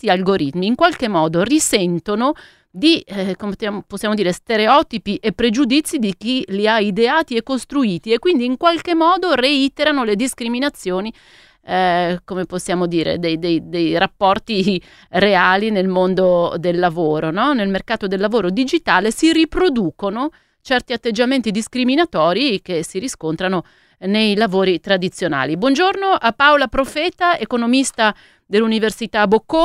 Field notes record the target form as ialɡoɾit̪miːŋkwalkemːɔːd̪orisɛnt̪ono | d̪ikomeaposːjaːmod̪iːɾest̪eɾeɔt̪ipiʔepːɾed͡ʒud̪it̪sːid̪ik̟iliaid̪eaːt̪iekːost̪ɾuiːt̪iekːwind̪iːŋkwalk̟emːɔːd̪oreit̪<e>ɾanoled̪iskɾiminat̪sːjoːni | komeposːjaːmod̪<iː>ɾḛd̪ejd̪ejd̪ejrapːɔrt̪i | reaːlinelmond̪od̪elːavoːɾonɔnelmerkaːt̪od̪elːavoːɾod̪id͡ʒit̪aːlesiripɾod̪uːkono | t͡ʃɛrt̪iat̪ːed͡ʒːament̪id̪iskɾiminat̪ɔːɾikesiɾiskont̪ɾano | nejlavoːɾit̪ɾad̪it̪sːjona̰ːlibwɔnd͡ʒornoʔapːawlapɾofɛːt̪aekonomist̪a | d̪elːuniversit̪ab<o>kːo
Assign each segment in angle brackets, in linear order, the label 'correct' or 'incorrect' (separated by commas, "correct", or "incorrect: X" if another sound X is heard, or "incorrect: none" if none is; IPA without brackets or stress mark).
correct, correct, correct